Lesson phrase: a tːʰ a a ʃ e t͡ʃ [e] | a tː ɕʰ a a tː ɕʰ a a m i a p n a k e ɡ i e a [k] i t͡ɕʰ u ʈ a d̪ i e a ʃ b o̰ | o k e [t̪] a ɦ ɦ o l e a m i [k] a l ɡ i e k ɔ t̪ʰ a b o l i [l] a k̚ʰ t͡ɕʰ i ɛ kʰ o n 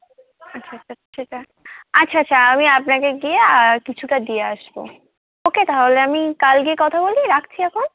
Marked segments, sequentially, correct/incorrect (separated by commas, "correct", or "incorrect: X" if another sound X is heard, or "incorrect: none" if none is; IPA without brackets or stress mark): incorrect: a, correct, correct, correct, incorrect: ɾ